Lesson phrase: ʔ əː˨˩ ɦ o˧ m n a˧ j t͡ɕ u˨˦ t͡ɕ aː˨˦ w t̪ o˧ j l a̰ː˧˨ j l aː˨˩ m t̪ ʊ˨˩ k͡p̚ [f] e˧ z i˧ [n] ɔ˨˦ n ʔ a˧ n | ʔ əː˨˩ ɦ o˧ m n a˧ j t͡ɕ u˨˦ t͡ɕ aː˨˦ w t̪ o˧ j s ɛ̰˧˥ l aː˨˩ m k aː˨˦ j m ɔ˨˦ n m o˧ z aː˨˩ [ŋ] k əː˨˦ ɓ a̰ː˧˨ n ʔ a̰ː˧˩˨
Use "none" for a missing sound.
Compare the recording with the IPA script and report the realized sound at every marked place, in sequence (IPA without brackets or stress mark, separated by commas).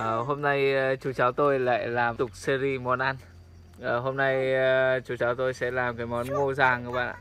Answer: s, m, ŋ